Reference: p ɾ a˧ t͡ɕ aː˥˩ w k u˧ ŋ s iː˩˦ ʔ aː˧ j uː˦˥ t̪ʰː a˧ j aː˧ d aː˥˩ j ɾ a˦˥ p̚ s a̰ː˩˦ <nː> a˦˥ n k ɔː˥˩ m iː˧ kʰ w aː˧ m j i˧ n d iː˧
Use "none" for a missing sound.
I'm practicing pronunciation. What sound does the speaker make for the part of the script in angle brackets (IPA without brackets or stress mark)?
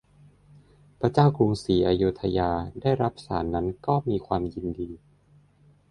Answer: nː